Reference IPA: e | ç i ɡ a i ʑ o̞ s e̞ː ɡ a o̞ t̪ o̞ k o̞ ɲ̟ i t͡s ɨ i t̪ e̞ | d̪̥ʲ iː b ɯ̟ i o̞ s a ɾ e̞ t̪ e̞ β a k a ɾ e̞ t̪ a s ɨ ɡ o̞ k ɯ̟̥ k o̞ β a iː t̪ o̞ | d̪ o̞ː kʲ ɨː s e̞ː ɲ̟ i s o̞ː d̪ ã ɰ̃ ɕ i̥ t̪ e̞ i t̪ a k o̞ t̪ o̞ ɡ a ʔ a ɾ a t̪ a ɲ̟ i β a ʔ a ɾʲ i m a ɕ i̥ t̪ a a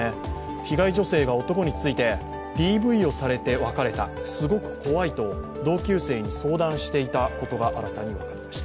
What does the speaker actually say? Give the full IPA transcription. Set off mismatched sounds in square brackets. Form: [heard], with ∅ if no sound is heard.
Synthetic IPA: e | ç i ɡ a i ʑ o̞ s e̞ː ɡ a o̞ t̪ o̞ k o̞ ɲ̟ i t͡s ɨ i t̪ e̞ | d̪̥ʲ iː b ɯ̟ i o̞ s a ɾ e̞ t̪ e̞ β a k a ɾ e̞ t̪ a s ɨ ɡ o̞ k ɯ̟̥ k o̞ β a [i] t̪ o̞ | d̪ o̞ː kʲ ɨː s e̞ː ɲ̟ i s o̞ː d̪ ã ɰ̃ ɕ i̥ t̪ e̞ i t̪ a k o̞ t̪ o̞ ɡ a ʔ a ɾ a t̪ a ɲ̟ i β a [k] a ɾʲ i m a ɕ i̥ t̪ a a